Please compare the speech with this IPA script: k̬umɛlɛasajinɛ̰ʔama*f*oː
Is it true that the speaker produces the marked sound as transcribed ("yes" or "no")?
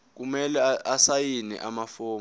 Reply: yes